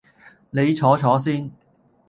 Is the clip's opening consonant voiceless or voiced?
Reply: voiced